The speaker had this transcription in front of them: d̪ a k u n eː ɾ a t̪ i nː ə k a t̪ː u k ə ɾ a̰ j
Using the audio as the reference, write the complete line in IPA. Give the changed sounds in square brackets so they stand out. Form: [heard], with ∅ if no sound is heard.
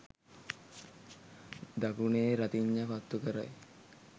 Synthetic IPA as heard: d̪ a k u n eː ɾ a t̪ i [ɲː] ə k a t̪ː u k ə ɾ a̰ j